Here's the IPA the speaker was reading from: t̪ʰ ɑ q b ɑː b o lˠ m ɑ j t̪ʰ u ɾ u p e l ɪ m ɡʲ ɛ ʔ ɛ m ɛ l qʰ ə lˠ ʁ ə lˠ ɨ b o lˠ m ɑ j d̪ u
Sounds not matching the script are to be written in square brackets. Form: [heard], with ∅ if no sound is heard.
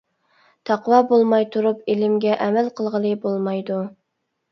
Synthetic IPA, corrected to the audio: t̪ʰ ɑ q [w] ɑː b o lˠ m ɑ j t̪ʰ u ɾ u p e l ɪ m ɡʲ ɛ ʔ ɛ m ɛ l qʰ ə lˠ ʁ ə lˠ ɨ b o lˠ m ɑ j d̪ u

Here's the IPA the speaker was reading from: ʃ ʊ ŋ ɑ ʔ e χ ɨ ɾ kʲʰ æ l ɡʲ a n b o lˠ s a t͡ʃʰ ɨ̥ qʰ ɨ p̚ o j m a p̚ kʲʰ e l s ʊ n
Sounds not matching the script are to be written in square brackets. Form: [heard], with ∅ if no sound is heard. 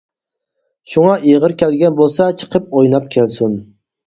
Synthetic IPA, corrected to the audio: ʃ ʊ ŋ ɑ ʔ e [ʁ] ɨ ɾ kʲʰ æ l ɡʲ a n b o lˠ s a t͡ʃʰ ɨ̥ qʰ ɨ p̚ o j [n] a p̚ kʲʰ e l s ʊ n

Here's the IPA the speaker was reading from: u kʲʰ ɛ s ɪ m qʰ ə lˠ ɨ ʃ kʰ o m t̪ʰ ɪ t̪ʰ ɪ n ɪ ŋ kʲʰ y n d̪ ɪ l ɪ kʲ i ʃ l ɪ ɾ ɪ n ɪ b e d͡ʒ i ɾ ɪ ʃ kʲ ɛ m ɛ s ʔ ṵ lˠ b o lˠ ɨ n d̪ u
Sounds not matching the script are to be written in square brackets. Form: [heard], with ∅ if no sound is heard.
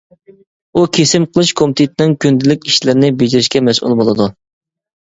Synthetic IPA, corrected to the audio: u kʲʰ [e] s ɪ m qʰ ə lˠ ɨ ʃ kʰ o m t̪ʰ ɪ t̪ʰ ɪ n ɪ ŋ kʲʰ y n d̪ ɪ l ɪ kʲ i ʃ l ɪ ɾ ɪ n ɪ b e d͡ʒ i ɾ ɪ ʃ kʲ ɛ m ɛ s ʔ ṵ lˠ b o lˠ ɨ [∅] d̪ u

